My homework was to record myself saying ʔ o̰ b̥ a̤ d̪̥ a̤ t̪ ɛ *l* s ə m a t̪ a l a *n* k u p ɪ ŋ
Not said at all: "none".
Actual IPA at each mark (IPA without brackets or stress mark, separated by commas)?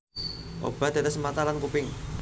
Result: none, n